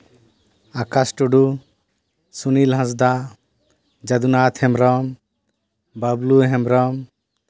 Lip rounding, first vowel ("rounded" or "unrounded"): unrounded